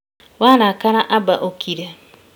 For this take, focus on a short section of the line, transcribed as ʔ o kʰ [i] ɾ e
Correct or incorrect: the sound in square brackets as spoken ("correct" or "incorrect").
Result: correct